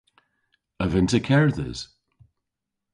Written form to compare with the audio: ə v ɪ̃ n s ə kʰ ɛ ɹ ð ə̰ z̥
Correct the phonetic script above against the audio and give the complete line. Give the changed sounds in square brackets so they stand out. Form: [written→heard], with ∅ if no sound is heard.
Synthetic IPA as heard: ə v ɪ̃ n [s→t] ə kʰ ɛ ɹ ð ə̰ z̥